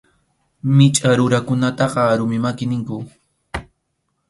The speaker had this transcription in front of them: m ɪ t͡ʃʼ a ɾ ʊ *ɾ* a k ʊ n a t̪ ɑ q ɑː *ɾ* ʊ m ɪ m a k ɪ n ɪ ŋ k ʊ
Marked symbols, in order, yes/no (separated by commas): yes, yes